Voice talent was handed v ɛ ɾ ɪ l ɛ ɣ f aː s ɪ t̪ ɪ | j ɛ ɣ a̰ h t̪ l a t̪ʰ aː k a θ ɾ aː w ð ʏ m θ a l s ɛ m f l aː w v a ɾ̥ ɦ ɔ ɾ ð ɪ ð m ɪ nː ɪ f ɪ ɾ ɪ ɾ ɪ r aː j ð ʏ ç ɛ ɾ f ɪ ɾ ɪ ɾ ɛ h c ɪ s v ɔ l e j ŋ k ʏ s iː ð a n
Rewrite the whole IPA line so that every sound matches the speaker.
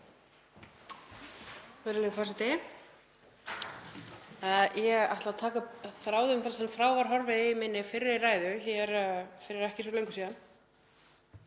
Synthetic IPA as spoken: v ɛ ɾ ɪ l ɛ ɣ f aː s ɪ t̪ ɪ | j ɛ ɣ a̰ h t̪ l a t̪ʰ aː k a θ ɾ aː w ð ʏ m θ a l s ɛ m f ɾ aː w v a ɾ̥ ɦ ɔ ɾ v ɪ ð m ɪ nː ɪ f ɪ ɾ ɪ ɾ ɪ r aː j ð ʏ ç ɛ ɾ f ɪ ɾ ɪ ɾ ɛ h c ɪ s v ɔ l e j ŋ k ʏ s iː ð a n